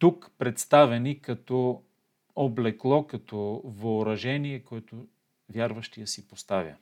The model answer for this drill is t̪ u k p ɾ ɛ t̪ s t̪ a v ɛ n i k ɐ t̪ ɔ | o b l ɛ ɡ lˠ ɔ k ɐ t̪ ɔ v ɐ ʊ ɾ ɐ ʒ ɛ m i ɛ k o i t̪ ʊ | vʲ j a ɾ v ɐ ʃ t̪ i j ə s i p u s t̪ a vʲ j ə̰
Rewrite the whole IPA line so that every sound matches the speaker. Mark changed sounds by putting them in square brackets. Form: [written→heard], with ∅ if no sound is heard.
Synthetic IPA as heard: t̪ u k p ɾ ɛ t̪ s t̪ a v ɛ n i k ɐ t̪ ɔ | o b l ɛ [ɡ→k] lˠ ɔ k ɐ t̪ ɔ v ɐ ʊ ɾ ɐ ʒ ɛ [m→n] i ɛ k o [i→ɛ] t̪ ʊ | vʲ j a ɾ v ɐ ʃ t̪ i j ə s i p [u→o] s t̪ a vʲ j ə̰